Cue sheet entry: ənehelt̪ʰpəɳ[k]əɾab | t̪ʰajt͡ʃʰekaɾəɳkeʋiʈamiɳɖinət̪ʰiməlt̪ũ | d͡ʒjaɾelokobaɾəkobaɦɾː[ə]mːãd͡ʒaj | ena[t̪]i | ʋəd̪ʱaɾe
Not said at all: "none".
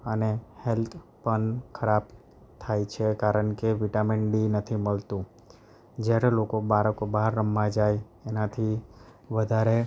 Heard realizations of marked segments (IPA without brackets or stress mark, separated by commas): kʰ, ə, t̪ʰ